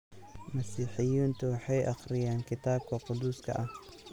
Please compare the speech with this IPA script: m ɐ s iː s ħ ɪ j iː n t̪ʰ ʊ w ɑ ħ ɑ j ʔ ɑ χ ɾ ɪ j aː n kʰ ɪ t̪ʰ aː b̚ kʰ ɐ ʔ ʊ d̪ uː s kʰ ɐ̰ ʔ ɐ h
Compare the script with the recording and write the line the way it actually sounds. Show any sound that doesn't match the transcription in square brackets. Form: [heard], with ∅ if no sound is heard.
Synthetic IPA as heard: m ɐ s iː [∅] ħ ɪ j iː n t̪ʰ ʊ w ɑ ħ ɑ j ʔ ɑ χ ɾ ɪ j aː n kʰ ɪ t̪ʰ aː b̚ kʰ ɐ [q] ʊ d̪ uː s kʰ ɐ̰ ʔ ɐ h